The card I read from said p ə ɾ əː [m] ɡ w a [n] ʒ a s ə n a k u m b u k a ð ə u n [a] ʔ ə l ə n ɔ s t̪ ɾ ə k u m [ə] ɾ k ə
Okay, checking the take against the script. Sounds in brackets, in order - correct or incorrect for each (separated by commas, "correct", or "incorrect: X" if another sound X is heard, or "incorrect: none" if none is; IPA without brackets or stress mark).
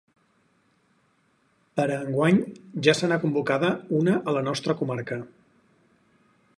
incorrect: ŋ, incorrect: ɲ, incorrect: ə, incorrect: a